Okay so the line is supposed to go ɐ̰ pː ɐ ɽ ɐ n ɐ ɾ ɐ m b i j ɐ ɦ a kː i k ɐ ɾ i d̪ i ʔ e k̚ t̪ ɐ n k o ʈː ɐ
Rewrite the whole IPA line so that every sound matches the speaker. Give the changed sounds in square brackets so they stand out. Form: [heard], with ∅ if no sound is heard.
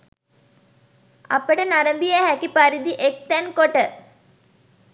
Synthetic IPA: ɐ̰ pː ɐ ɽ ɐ n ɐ ɾ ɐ m b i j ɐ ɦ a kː i [p] ɐ ɾ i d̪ i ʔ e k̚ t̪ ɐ n k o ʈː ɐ